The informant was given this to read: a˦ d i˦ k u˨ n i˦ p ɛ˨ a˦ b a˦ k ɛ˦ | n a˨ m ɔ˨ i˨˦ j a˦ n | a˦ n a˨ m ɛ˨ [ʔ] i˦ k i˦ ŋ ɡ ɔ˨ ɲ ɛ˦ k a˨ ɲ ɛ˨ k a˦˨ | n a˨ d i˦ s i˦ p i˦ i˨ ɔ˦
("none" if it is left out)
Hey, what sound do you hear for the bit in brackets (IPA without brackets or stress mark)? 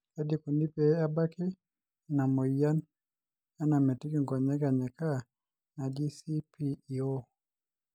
t